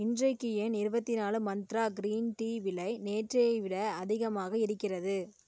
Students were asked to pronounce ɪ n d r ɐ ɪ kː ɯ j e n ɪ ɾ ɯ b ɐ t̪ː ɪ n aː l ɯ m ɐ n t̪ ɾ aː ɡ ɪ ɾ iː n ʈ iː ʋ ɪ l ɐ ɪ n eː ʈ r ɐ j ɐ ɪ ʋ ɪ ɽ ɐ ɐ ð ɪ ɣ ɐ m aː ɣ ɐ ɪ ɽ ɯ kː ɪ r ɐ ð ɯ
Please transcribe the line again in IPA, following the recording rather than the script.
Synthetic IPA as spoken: ɪ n d r ɐ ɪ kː ɯ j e n ɪ ɾ ɯ b ɐ t̪ː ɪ n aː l ɯ m ɐ n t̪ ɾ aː ɡ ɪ ɾ iː n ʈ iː ʋ ɪ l ɐ ɪ n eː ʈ r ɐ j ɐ ɪ ʋ ɪ ɽ ɐ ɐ ð ɪ ɣ ɐ m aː ɣ ɐ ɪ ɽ ɯ kː ɪ r ɐ ð ɯ